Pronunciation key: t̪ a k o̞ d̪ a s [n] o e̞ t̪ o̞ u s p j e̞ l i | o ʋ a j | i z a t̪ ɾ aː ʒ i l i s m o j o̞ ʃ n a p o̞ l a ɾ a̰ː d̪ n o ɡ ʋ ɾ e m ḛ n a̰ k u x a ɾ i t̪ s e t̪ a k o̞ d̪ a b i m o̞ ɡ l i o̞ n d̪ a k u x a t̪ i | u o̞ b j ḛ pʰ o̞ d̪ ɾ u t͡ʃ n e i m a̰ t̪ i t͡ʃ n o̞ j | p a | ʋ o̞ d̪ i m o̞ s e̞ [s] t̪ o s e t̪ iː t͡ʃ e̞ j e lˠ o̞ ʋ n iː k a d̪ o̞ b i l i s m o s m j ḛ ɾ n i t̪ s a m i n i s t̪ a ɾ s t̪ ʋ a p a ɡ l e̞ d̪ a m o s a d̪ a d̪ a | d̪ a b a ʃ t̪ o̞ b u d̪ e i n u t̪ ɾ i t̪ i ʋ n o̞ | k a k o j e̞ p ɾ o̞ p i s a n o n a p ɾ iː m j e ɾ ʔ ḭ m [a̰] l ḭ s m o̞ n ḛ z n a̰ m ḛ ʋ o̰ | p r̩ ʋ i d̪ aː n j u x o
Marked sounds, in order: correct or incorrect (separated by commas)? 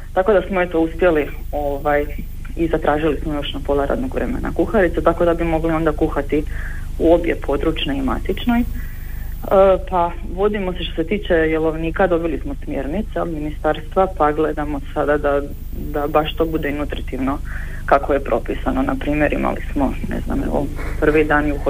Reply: incorrect, incorrect, correct